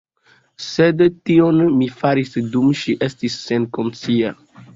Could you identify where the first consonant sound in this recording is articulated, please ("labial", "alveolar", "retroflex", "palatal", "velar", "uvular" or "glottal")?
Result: alveolar